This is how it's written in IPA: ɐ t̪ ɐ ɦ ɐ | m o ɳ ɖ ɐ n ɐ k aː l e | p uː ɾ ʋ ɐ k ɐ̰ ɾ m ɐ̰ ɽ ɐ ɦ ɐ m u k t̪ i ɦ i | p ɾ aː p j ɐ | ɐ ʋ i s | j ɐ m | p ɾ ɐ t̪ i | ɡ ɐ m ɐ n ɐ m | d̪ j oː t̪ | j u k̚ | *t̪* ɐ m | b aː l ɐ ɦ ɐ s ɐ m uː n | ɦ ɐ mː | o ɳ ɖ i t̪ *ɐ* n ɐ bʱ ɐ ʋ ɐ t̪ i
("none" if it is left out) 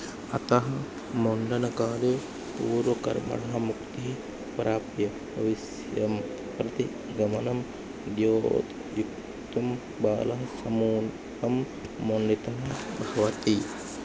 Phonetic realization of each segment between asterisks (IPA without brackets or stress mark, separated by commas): t̪, ɐ